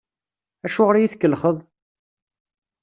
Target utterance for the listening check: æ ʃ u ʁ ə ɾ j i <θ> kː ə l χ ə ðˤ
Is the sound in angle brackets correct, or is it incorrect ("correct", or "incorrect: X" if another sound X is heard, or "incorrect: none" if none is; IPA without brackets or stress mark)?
correct